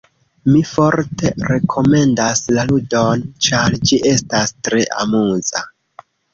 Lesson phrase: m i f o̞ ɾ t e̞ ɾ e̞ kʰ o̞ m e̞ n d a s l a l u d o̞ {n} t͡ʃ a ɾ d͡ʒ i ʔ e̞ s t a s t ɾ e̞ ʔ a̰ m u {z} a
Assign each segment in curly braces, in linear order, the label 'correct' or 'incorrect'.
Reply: correct, correct

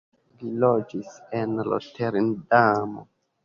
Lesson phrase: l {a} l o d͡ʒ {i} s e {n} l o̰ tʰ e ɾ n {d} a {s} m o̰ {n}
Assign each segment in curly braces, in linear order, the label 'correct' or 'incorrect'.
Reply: incorrect, correct, correct, correct, incorrect, incorrect

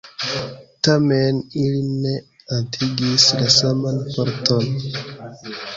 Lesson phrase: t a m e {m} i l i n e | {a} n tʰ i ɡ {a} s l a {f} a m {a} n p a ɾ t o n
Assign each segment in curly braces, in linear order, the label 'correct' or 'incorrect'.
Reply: incorrect, correct, incorrect, incorrect, correct

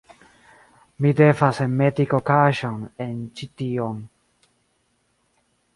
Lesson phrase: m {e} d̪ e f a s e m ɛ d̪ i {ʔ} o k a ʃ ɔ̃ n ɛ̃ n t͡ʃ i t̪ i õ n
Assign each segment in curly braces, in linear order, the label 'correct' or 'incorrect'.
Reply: incorrect, incorrect

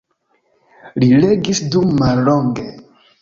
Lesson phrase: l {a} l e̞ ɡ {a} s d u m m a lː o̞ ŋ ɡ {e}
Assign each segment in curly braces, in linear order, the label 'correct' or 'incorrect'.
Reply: incorrect, incorrect, correct

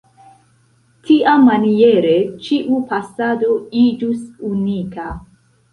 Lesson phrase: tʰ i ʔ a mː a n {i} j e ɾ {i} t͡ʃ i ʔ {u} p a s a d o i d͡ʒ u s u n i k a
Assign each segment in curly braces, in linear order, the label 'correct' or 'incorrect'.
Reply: correct, incorrect, correct

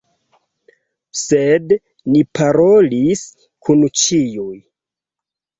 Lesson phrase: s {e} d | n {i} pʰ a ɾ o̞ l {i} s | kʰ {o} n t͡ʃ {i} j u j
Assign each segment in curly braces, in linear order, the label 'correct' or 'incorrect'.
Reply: correct, correct, correct, incorrect, correct

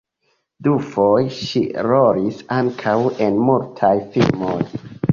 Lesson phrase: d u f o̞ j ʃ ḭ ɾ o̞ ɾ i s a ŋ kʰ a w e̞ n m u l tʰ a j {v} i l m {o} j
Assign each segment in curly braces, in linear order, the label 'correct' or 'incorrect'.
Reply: incorrect, correct

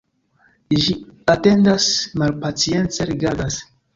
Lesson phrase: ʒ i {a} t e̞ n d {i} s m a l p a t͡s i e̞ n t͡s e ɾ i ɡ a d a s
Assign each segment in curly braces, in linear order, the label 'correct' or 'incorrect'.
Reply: correct, incorrect

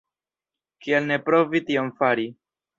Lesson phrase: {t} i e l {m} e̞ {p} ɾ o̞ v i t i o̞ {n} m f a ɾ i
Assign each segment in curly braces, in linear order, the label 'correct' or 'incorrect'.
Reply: incorrect, incorrect, correct, incorrect

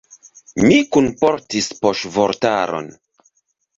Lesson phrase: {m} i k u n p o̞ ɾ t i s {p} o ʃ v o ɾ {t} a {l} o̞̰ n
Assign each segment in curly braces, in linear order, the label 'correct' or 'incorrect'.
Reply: correct, correct, correct, incorrect

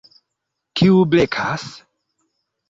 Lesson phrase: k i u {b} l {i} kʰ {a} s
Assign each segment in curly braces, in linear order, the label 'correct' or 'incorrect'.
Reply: correct, incorrect, correct

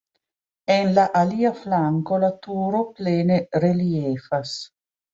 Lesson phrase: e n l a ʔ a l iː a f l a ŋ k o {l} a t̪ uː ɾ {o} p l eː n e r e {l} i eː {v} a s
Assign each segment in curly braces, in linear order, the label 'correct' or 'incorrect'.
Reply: correct, correct, correct, incorrect

